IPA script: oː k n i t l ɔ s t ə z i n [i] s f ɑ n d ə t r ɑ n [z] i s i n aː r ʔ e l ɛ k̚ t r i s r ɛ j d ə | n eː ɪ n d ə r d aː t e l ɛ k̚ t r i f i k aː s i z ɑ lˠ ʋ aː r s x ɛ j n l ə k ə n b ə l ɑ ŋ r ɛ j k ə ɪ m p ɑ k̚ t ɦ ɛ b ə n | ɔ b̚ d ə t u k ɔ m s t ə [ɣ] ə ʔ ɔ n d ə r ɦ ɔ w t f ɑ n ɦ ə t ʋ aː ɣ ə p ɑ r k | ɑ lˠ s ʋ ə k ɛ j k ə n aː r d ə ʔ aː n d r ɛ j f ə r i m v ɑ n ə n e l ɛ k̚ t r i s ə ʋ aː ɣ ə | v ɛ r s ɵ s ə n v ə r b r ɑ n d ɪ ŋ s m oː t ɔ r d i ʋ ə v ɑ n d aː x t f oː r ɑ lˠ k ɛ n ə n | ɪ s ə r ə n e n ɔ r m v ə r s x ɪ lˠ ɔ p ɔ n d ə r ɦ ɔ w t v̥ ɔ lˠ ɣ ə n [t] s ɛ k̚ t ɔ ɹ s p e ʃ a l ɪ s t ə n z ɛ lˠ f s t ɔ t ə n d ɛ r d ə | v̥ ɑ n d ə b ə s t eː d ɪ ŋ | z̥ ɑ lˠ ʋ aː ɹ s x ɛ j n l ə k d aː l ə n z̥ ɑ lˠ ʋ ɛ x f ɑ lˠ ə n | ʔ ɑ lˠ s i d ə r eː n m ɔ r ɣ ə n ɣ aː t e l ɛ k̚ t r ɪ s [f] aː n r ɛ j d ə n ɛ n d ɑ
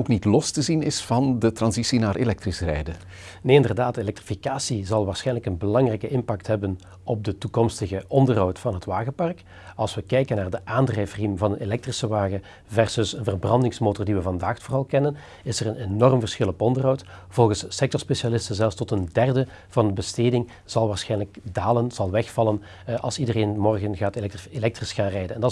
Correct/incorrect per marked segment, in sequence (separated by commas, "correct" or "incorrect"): incorrect, correct, correct, incorrect, incorrect